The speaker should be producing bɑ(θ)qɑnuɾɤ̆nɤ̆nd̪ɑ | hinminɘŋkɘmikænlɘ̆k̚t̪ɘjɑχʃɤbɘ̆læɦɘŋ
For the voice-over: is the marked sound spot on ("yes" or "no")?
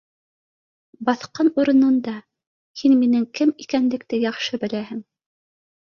yes